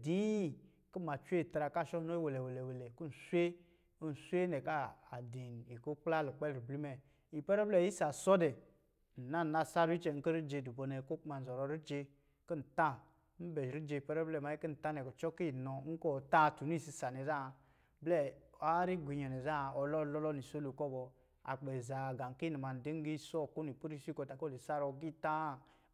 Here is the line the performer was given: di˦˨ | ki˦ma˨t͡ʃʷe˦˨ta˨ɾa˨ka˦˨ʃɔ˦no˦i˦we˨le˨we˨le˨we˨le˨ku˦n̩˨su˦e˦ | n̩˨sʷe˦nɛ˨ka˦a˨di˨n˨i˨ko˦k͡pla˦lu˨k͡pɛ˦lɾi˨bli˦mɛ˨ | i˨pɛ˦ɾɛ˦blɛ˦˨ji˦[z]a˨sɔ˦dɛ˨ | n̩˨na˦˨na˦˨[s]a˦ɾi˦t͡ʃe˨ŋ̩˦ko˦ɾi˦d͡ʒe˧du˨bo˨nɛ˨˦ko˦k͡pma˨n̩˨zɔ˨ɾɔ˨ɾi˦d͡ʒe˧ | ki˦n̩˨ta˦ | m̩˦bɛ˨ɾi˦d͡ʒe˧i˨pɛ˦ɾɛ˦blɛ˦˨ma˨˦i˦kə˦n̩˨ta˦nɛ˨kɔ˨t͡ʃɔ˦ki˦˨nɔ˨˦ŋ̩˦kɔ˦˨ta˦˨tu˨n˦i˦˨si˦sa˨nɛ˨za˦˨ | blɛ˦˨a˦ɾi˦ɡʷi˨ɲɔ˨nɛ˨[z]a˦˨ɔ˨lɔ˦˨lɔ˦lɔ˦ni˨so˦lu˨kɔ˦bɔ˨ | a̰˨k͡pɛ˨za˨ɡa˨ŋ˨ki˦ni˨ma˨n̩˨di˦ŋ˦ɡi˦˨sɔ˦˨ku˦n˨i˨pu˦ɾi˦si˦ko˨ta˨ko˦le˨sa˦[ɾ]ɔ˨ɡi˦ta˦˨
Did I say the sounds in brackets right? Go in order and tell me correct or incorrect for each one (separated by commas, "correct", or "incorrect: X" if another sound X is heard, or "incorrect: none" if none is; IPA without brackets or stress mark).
incorrect: s, correct, correct, correct